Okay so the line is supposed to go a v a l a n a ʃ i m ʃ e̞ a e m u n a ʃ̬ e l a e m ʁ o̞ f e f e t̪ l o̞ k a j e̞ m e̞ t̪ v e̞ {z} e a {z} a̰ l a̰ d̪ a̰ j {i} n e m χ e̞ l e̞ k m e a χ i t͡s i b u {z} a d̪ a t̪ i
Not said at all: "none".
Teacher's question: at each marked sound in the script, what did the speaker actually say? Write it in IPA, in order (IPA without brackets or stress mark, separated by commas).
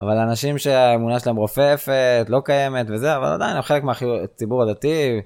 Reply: z, v, i, ʁ